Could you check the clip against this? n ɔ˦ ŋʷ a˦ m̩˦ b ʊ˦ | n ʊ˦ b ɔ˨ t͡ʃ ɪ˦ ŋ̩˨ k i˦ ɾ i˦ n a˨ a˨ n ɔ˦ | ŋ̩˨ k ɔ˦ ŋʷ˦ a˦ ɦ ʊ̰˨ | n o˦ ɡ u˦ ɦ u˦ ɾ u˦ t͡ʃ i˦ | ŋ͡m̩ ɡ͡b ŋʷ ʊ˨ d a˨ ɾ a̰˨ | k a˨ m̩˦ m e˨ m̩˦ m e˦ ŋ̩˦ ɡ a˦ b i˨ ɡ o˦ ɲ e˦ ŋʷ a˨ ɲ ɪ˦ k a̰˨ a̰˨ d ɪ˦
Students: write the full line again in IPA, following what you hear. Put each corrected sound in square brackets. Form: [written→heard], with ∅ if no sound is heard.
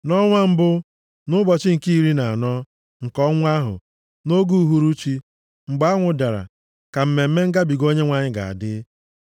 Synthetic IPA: n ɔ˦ ŋʷ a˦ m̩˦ b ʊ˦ | n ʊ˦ b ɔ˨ t͡ʃ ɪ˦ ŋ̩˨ k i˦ ɾ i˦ n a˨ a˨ n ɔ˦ | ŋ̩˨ k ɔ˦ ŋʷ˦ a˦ ɦ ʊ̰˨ | n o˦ ɡ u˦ ɦ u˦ ɾ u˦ t͡ʃ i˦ | ŋ͡m̩ ɡ͡b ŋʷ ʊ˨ d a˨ ɾ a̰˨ | k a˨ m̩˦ m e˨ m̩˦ m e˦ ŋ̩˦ ɡ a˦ b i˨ ɡ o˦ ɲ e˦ ŋʷ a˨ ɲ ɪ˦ [k→ɡ] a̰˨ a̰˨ d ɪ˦